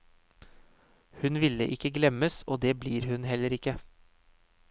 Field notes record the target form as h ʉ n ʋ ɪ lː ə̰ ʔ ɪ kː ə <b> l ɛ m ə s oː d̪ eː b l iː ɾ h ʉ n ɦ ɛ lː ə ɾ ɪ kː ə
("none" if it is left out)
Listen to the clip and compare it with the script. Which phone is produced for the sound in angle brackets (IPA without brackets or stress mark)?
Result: ɡ